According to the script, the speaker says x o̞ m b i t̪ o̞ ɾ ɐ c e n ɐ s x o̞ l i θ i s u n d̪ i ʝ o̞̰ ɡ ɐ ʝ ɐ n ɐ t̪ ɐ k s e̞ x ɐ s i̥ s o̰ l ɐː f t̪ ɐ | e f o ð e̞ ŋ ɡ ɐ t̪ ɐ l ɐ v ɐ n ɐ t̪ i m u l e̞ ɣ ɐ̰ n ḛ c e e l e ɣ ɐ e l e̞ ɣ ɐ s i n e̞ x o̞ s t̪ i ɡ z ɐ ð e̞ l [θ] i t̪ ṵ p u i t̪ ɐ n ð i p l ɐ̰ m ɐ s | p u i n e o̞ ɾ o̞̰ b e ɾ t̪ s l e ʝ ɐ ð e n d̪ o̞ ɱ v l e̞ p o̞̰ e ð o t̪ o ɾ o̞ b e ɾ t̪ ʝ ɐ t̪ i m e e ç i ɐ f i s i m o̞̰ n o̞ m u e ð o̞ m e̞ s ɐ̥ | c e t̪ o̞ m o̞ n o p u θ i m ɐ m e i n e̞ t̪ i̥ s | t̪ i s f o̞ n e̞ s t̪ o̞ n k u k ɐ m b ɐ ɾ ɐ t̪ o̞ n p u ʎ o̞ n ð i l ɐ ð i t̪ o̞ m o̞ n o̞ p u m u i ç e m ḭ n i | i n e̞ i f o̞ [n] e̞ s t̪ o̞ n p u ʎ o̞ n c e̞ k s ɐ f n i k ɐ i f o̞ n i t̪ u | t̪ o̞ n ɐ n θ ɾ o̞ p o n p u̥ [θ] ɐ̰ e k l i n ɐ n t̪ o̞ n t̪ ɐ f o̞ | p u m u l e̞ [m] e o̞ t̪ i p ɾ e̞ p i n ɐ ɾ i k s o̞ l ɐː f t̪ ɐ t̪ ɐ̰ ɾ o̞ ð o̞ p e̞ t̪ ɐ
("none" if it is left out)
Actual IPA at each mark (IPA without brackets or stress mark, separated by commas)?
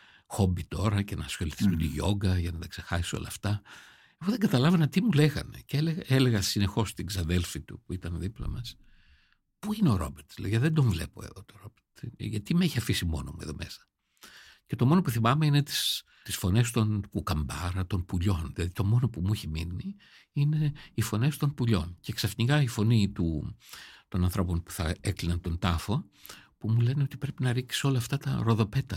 f, n, θ, n